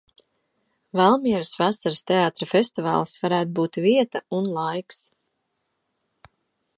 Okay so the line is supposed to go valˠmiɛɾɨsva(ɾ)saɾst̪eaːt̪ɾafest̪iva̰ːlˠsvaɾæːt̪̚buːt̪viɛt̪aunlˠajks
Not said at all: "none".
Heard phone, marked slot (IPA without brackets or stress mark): none